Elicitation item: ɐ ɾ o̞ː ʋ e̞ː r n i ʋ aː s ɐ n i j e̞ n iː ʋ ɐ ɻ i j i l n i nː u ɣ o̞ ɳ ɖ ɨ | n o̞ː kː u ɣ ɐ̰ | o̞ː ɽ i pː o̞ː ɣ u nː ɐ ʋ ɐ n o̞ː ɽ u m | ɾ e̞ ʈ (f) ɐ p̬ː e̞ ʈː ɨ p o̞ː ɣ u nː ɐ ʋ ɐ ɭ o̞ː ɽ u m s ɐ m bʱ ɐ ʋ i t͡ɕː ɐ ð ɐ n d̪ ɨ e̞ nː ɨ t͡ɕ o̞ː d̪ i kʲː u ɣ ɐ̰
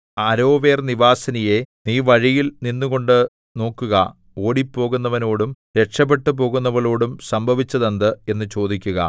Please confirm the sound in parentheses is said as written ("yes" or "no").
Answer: no